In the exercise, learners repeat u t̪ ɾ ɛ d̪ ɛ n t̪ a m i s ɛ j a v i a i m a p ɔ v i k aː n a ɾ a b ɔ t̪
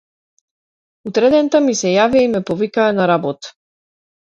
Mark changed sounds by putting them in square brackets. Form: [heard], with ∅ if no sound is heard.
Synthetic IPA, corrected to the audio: u t̪ ɾ ɛ d̪ ɛ n t̪ a m i s ɛ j a v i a i m [ɛ] p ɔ v i k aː n a ɾ a b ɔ t̪